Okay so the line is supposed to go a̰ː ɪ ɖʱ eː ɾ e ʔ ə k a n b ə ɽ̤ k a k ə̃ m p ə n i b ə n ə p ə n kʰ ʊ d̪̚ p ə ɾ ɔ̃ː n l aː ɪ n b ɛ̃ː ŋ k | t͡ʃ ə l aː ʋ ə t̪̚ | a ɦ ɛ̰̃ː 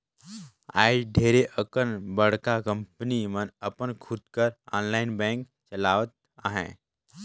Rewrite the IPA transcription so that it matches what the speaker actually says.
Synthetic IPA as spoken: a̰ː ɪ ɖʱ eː ɾ e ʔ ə k ə n b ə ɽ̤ k a k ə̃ m p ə n i m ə n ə p ə n kʰ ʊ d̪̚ k ə ɾ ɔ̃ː n l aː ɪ n b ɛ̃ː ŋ k | t͡ʃ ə l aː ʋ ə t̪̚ | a ɦ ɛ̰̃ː